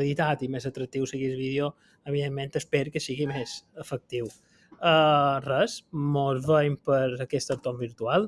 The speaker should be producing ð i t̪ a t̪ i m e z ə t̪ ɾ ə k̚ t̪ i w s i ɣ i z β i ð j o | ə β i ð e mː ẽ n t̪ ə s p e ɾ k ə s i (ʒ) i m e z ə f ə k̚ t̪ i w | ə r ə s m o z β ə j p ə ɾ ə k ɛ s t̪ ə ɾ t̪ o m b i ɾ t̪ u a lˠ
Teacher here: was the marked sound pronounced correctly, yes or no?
no